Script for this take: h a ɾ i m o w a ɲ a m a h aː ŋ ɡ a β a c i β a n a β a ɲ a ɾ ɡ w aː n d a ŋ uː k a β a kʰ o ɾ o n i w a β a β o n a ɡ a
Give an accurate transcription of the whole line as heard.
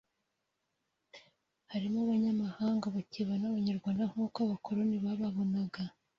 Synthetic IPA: h a ɾ i m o β a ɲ a m a h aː ŋ ɡ a β a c i β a n a β a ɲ a ɾ ɡ w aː n d a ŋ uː k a β a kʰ o ɾ o n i β a β a β o n a ɡ a